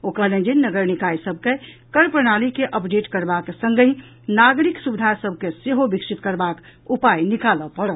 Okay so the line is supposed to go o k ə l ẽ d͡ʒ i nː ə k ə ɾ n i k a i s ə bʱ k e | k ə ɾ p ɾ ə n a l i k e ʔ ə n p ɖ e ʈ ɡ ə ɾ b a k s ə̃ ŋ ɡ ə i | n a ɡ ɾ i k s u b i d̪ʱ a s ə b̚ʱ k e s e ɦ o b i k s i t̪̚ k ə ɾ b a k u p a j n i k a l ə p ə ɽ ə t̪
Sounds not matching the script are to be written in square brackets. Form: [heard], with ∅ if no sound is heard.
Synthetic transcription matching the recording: o k ə l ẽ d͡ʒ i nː ə [ɡ] ə ɾ n i k a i s ə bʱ k e | k ə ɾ p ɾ ə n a l i k e ʔ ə [∅] p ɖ e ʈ [k] ə ɾ b a k s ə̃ ŋ ɡ ə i | n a ɡ ɾ i k s u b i d̪ʱ a s ə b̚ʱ k e s e ɦ o b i k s i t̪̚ k ə ɾ b a k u p a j n i k a l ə p ə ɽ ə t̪